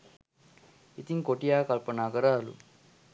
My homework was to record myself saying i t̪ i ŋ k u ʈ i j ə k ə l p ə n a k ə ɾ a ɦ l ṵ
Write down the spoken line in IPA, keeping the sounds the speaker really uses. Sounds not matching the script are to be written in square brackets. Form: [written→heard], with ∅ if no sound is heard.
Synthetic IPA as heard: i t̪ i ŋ k [u→o] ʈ i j [ə→a] k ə l p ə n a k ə ɾ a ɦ l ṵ